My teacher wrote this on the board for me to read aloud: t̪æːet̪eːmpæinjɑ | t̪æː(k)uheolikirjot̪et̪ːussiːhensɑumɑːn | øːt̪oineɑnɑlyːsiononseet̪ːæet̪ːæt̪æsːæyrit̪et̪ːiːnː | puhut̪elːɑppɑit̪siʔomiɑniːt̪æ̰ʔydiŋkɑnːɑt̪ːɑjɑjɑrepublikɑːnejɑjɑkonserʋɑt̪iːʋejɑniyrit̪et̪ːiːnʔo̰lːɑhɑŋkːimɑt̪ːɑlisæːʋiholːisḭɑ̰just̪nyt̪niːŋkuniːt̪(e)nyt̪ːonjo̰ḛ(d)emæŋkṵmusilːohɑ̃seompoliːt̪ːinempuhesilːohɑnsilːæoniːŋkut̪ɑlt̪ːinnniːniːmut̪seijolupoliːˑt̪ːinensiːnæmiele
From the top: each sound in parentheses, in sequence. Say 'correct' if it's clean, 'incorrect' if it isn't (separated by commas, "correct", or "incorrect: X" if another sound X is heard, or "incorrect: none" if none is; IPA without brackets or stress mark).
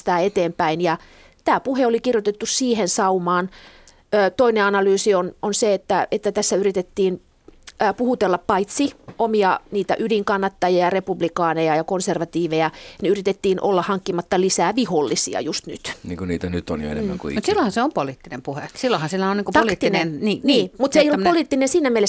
incorrect: p, incorrect: æ, incorrect: n